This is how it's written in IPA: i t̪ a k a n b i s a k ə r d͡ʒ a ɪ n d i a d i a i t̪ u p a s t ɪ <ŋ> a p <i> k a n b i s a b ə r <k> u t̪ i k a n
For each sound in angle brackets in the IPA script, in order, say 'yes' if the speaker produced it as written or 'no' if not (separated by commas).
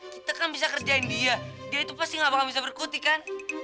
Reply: yes, no, yes